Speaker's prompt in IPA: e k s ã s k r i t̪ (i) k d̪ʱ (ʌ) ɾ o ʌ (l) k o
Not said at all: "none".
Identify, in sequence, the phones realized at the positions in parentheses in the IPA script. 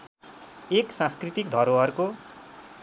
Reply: i, ʌ, r

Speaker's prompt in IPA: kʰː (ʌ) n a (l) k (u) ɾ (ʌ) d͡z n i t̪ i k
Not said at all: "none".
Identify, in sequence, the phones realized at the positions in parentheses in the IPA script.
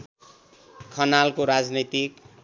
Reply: ʌ, l, o, a

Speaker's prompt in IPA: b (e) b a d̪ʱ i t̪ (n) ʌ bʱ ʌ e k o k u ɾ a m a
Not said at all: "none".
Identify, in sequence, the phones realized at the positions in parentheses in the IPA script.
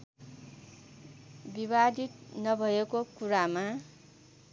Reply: i, n

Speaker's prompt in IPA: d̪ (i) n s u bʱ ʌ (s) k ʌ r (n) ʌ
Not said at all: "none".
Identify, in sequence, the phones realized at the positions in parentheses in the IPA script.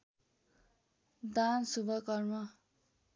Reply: a, none, m

